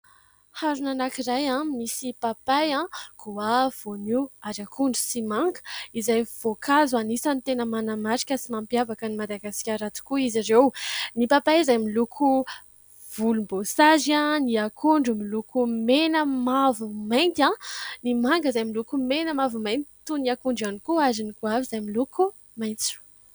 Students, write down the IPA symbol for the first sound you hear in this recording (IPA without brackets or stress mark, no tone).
h